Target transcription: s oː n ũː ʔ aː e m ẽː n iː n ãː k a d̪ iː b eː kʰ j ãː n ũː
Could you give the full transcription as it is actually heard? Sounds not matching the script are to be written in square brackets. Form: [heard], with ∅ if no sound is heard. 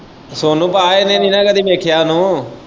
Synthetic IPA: s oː n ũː [p] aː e [n] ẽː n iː n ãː k [ə] d̪ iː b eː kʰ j [aː] n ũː